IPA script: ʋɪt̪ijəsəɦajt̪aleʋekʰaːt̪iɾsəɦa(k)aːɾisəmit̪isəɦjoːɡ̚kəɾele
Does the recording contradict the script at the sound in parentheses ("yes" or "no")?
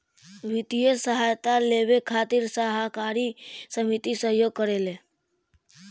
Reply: no